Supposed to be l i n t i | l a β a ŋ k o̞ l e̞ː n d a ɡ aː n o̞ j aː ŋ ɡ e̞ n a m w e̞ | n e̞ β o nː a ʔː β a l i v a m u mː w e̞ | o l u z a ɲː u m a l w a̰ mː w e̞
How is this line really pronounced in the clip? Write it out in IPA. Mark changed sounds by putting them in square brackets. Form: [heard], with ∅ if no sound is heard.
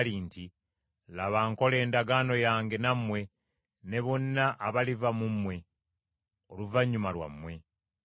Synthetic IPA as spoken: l i n t i | l a β a ŋ k o̞ l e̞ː n d a ɡ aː n o̞ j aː ŋ ɡ e̞ n a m w e̞ | n e̞ β o nː a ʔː β a l i v a m u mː w e̞ | o l u [v] a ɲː u m a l w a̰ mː w e̞